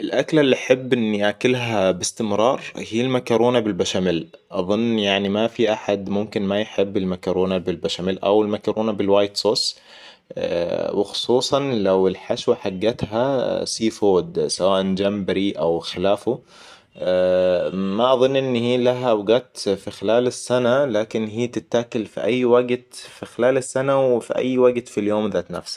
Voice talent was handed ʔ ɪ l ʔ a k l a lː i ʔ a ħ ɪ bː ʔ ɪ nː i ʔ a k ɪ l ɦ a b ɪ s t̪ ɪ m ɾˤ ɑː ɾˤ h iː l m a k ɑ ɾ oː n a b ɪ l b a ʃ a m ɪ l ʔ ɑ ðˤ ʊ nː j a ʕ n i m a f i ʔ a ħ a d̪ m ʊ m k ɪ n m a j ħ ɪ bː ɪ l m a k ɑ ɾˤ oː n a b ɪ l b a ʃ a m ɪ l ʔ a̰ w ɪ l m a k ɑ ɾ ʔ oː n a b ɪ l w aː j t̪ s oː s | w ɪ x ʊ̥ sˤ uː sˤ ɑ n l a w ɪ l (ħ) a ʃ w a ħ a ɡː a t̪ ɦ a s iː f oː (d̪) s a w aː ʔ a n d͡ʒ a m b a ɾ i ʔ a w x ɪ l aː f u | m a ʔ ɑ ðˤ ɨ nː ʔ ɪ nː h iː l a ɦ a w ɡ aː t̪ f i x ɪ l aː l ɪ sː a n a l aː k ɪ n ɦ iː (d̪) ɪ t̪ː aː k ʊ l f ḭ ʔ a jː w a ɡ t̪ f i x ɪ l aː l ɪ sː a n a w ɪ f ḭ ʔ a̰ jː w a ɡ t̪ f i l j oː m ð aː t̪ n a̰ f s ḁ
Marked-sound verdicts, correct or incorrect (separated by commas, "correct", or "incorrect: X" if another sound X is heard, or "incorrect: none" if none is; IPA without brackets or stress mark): correct, correct, incorrect: t̪